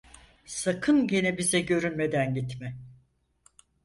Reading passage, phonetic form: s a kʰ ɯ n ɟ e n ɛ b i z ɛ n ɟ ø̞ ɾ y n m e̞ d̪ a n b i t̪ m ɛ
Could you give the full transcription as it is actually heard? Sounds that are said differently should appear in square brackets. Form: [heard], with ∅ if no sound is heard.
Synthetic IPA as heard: s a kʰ ɯ n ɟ e n ɛ b i z ɛ [∅] ɟ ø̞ ɾ y n m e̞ d̪ [æ] n [ɟ] i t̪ m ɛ